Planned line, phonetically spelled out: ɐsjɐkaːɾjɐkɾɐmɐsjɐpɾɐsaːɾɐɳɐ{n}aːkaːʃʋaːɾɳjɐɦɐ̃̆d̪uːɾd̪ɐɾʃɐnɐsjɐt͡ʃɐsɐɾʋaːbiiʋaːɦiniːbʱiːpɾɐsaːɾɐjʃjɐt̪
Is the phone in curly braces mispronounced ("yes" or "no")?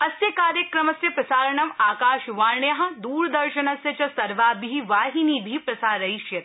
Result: yes